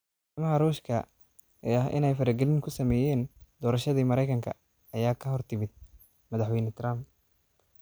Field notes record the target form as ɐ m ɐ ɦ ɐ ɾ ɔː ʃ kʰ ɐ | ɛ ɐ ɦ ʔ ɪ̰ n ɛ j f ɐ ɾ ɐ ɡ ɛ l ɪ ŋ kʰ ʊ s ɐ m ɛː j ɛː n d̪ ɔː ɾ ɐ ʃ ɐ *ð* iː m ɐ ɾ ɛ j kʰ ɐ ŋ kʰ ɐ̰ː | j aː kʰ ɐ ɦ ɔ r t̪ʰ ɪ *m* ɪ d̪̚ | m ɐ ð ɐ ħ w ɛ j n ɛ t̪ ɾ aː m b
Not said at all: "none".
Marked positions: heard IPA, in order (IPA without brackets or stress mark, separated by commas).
ð, m